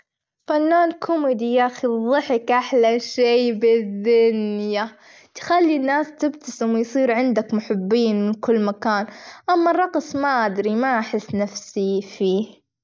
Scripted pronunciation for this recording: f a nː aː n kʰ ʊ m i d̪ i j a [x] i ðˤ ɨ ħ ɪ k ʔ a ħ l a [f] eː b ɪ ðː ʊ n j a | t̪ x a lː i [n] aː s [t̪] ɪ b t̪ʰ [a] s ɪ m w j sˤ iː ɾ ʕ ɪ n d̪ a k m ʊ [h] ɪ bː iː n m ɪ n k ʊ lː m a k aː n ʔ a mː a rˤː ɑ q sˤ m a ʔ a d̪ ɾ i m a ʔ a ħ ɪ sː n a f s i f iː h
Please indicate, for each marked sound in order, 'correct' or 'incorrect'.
correct, incorrect: ʃ, incorrect: nː, correct, correct, incorrect: ħ

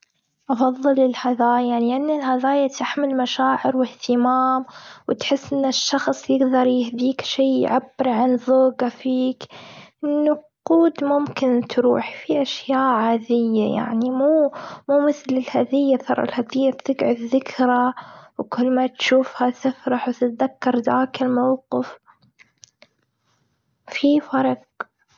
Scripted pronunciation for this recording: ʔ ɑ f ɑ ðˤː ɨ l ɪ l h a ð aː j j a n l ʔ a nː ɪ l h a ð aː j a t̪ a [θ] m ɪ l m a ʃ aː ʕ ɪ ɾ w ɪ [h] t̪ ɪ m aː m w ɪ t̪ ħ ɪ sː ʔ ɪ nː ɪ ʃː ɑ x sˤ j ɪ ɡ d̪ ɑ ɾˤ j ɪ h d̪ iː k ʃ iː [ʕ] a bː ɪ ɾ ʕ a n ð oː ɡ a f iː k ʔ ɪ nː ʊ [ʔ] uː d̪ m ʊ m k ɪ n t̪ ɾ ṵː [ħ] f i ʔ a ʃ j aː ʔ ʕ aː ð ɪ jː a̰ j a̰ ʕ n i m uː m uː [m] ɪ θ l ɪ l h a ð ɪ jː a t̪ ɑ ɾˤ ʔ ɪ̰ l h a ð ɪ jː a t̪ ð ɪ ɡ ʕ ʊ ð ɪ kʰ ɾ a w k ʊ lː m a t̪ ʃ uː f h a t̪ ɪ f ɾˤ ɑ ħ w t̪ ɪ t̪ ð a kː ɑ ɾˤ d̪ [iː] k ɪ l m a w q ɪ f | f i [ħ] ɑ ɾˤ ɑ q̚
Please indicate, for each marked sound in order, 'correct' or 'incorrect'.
incorrect: ħ, correct, correct, incorrect: q, correct, correct, incorrect: aː, incorrect: f

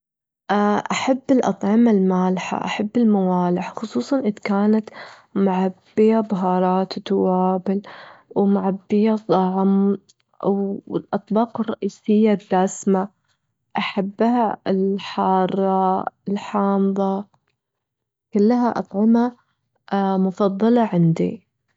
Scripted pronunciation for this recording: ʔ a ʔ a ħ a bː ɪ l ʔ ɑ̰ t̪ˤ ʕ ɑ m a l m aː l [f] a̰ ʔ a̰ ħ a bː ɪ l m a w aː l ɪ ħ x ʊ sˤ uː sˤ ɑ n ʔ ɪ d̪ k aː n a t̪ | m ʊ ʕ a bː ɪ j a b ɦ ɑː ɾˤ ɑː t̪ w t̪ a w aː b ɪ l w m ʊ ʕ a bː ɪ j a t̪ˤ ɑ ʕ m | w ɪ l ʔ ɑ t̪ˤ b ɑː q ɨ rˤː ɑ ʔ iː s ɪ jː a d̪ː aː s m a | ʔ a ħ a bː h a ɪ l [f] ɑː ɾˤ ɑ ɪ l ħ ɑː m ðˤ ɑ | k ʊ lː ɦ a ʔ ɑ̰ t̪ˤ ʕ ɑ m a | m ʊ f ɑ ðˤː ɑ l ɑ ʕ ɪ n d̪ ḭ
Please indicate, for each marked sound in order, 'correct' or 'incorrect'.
incorrect: ħ, incorrect: ħ

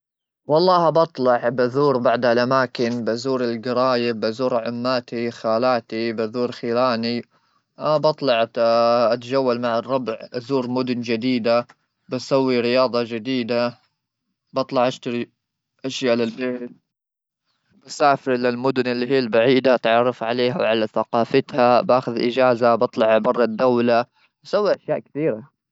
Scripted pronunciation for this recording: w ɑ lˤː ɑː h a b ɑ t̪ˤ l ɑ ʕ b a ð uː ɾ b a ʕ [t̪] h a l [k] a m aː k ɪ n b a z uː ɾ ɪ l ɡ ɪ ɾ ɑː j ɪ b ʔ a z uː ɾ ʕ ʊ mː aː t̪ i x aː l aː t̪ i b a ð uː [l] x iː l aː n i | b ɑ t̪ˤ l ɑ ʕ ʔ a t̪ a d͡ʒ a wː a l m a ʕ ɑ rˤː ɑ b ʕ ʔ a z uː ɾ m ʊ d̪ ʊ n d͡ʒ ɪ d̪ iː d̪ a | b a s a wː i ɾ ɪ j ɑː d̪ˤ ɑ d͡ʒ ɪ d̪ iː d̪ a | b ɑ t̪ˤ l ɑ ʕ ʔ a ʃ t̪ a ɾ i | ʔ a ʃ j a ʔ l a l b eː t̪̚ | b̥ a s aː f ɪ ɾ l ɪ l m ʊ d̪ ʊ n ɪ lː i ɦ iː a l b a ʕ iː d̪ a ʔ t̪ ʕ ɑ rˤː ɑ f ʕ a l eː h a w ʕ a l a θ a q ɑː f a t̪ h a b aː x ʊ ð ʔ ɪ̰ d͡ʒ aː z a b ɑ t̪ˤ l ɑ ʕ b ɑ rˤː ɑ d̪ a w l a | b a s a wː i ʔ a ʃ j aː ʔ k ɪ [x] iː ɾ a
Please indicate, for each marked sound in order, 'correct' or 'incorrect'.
incorrect: d̪, incorrect: ʔ, incorrect: ɾ, incorrect: θ

